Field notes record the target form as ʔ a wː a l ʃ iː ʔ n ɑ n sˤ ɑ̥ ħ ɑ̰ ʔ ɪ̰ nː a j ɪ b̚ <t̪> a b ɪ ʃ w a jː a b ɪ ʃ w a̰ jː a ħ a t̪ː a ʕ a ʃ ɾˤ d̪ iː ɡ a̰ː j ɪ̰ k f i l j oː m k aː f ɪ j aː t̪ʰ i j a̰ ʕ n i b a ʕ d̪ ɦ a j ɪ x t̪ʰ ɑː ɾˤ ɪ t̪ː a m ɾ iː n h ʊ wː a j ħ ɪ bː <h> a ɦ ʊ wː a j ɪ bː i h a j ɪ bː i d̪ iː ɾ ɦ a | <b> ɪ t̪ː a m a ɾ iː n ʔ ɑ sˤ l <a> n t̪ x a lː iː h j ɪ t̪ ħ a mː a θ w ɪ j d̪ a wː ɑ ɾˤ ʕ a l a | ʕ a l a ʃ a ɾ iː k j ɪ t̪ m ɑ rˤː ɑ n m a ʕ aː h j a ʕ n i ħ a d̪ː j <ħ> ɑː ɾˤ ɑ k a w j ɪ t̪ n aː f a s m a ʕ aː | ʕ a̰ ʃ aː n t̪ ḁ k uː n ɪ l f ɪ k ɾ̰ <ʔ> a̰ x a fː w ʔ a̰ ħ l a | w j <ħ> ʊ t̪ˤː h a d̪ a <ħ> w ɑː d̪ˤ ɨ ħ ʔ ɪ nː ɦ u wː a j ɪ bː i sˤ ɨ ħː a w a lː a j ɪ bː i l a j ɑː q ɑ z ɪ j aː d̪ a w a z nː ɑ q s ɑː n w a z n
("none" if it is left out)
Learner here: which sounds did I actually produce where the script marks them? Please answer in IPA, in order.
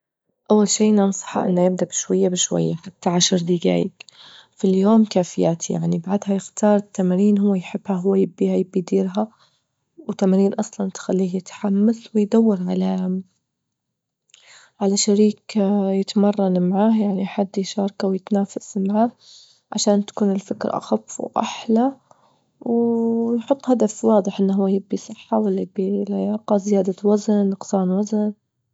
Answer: d̪, h, w, ɑ, ʃ, ʔ, ħ, f

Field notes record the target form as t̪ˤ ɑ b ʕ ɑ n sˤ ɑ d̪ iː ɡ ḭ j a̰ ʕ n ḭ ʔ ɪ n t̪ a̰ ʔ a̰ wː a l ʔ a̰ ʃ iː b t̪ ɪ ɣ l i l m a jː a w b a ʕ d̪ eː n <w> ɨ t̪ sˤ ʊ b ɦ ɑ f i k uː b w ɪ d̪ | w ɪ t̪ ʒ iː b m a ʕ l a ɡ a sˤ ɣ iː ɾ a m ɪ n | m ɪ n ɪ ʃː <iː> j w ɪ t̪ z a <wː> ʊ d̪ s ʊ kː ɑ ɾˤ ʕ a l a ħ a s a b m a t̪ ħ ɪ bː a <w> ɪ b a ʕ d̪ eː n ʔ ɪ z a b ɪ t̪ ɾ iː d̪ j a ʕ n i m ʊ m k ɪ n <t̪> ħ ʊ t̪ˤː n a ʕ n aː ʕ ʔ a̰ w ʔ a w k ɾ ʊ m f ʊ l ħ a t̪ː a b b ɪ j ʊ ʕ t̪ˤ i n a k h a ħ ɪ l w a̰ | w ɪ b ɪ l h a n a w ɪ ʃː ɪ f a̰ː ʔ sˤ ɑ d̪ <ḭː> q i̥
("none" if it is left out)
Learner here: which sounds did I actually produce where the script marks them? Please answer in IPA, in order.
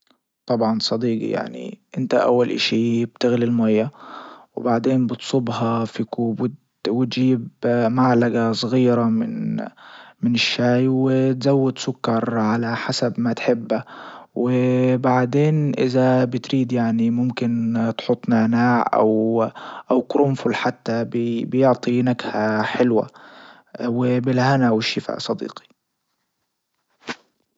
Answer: b, aː, wː, w, t̪, ḭː

